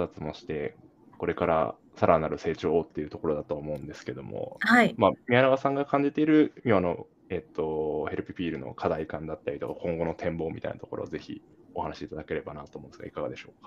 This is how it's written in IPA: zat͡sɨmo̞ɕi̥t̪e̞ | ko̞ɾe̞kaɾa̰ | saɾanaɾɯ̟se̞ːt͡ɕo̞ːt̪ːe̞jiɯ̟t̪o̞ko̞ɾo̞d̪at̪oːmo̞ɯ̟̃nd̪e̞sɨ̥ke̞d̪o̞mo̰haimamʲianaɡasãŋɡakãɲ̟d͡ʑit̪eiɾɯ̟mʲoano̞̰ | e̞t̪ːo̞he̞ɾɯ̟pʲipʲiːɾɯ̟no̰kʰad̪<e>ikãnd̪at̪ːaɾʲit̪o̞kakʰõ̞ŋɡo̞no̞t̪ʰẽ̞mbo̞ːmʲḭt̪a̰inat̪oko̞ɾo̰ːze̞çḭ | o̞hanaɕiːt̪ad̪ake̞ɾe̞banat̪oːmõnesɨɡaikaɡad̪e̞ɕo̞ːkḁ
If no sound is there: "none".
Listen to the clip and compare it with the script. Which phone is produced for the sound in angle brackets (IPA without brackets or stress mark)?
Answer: a